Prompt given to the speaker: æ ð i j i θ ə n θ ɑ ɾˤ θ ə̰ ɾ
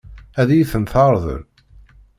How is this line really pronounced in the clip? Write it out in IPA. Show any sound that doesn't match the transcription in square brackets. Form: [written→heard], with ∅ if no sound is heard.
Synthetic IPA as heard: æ ð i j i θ ə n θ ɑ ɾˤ [θ→ð] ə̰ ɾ